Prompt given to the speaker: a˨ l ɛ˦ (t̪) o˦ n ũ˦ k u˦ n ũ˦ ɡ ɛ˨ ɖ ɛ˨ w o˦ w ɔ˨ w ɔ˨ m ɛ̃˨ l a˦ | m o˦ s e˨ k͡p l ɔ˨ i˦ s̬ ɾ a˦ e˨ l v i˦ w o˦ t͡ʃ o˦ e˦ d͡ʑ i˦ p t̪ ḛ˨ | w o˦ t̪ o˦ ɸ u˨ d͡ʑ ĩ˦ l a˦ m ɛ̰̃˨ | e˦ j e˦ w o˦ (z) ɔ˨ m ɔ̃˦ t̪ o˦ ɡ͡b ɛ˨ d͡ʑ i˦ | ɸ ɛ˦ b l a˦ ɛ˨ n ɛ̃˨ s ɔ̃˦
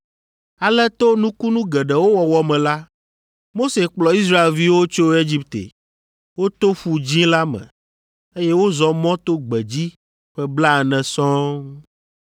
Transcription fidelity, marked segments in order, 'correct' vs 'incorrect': correct, correct

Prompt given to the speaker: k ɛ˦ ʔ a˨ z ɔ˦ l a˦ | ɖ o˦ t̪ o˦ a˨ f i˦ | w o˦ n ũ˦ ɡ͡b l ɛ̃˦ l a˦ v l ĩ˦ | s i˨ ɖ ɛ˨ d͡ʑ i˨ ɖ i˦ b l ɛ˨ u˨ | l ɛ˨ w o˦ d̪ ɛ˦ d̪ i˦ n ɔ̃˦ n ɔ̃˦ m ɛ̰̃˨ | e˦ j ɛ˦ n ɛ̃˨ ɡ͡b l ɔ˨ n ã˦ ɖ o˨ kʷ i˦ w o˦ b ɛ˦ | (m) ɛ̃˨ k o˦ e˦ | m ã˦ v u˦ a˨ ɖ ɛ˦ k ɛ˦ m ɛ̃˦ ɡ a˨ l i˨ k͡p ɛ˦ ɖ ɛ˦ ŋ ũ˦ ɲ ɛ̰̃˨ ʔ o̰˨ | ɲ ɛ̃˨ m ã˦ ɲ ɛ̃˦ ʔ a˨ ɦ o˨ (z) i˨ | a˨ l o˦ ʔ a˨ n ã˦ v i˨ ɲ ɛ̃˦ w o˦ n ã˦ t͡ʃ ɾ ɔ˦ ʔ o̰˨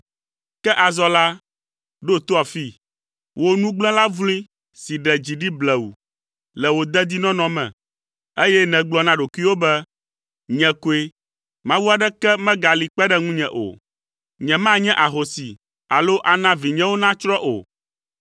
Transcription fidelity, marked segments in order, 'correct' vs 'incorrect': incorrect: ɲ, incorrect: s

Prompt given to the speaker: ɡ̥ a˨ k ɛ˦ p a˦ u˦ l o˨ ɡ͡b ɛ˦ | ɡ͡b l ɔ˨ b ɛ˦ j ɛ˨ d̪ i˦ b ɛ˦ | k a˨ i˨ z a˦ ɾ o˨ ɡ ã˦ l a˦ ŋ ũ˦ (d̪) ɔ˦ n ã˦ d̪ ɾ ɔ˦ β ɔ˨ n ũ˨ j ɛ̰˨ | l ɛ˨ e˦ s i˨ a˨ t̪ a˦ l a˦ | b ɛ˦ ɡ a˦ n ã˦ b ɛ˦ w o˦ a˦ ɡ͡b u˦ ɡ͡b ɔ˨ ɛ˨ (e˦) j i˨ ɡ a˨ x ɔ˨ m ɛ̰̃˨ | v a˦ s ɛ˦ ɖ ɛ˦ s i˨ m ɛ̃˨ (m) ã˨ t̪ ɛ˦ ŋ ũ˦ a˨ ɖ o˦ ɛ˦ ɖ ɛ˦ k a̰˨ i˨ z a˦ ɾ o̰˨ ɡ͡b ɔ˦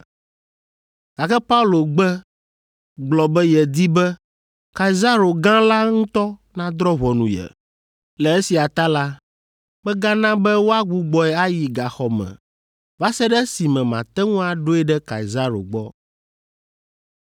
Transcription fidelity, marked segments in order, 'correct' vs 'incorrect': incorrect: t̪, incorrect: a˦, correct

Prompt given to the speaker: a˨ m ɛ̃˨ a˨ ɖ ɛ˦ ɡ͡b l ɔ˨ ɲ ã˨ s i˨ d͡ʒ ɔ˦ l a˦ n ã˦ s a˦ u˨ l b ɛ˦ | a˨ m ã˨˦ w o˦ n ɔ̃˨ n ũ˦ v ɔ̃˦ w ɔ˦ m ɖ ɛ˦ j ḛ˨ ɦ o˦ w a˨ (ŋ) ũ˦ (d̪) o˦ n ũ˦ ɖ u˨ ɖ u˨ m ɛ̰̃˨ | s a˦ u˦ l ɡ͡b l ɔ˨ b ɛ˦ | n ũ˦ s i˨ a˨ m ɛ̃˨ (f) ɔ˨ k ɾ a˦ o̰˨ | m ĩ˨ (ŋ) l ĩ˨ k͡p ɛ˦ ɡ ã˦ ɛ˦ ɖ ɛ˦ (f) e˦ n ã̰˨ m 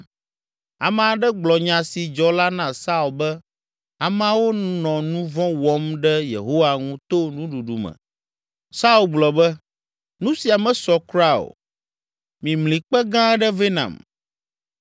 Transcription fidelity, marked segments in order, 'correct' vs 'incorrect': correct, incorrect: t̪, incorrect: s, incorrect: m, incorrect: v

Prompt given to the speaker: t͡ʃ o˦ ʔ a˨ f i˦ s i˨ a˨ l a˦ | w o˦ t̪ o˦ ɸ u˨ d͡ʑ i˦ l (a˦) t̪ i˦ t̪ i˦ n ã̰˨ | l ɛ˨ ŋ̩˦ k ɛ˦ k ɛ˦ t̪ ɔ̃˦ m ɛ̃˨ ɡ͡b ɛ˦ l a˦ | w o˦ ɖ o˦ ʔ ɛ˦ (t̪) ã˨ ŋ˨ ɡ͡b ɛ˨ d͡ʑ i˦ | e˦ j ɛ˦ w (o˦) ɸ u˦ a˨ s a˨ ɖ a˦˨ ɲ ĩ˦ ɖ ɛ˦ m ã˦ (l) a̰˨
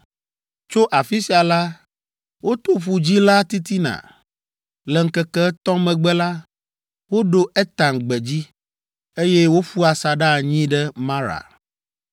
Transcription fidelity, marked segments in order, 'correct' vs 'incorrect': correct, correct, correct, incorrect: ɾ

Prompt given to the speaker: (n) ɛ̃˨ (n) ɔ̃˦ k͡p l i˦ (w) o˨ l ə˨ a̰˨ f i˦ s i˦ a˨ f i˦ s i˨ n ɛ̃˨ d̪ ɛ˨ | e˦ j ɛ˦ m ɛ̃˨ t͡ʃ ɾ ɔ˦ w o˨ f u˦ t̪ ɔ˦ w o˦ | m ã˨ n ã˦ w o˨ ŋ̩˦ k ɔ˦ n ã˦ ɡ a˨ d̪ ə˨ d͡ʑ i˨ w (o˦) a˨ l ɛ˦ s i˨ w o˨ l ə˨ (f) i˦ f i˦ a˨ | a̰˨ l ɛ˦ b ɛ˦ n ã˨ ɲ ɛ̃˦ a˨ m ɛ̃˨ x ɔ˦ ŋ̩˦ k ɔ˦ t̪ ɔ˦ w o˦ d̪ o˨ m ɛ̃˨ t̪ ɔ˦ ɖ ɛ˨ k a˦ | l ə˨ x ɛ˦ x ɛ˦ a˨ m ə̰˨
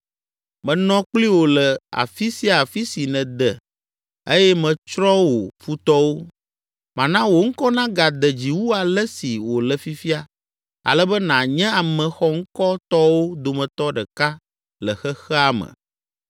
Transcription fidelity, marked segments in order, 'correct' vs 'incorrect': incorrect: m, correct, correct, incorrect: u˦, correct

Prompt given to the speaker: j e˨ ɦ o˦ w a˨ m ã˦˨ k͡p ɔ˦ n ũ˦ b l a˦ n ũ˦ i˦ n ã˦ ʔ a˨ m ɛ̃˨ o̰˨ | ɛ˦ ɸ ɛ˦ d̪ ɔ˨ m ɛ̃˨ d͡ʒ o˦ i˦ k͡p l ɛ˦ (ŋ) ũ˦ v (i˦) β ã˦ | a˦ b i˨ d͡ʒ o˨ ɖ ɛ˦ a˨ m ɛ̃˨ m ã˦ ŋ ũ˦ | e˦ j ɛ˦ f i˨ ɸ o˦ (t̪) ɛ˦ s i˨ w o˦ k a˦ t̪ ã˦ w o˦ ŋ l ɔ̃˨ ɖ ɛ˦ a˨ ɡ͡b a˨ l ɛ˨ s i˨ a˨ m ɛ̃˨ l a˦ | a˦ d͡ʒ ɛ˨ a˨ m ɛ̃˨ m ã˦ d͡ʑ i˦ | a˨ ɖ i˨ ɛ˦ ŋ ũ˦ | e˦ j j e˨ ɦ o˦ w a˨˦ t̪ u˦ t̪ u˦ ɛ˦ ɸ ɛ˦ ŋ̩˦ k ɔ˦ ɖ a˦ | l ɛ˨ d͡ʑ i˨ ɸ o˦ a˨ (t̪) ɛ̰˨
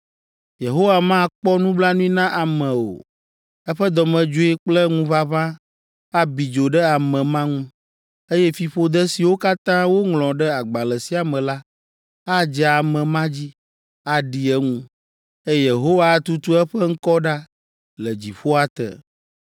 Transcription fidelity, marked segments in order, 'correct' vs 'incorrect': correct, incorrect: a˦, incorrect: d̪, correct

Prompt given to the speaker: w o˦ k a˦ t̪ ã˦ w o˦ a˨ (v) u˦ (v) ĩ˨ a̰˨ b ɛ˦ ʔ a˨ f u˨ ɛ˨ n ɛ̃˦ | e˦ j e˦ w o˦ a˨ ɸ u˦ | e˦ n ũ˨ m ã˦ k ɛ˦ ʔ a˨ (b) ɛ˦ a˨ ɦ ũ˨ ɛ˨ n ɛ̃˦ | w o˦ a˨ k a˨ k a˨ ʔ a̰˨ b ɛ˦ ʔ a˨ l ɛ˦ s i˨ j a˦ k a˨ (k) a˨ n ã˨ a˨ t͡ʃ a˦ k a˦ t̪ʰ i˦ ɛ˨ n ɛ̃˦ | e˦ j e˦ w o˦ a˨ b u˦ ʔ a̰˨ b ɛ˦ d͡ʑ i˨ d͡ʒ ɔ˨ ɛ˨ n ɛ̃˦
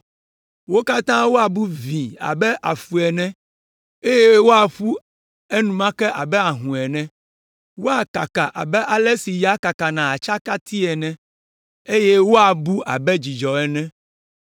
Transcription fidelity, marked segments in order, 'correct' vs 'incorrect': incorrect: b, correct, correct, correct

